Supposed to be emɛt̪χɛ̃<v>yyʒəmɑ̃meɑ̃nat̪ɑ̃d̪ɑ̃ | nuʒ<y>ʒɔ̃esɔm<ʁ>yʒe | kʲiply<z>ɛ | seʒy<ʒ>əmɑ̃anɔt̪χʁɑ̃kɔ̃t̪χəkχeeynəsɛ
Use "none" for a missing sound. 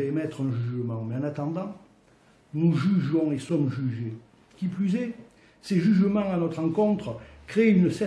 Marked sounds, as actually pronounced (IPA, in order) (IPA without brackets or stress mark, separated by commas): ʒ, y, ʒ, z, ʒ